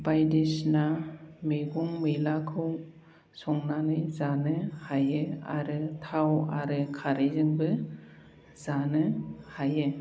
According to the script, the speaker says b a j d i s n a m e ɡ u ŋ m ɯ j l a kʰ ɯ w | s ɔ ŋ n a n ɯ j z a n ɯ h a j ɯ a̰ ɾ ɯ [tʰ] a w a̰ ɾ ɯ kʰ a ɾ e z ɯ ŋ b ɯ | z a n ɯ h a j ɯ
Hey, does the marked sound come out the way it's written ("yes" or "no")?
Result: yes